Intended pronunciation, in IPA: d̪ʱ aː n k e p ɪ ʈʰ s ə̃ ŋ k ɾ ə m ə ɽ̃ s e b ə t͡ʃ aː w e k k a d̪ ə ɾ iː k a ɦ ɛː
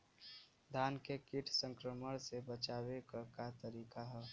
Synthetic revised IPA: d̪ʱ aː n k e k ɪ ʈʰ s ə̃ ŋ k ɾ ə m ə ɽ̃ s e b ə t͡ʃ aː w e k k a t̪ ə ɾ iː k a ɦ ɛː